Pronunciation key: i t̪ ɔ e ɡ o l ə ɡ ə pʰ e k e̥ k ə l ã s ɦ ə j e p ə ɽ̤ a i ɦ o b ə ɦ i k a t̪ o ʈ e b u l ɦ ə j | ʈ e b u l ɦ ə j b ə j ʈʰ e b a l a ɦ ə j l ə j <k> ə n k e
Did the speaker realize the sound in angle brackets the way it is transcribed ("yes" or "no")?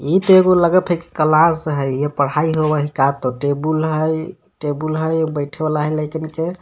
yes